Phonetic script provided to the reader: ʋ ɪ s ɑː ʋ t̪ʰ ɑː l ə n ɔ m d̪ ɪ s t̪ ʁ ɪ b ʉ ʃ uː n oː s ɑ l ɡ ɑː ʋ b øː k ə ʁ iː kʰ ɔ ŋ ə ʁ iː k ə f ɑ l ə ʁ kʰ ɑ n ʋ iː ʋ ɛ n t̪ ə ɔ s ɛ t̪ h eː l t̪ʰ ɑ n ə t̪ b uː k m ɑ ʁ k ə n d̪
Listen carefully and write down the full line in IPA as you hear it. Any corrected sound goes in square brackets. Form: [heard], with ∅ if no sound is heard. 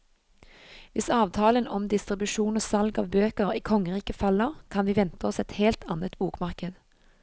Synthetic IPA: ʋ ɪ s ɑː ʋ t̪ʰ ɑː l ə n ɔ m d̪ ɪ s t̪ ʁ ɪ b ʉ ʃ uː n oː s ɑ l ɡ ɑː ʋ b øː k ə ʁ iː kʰ ɔ ŋ ə ʁ iː k ə f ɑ l ə ʁ kʰ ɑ n ʋ iː ʋ ɛ n t̪ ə ɔ s ɛ t̪ h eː l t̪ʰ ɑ n ə t̪ b uː k m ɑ ʁ k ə [∅] d̪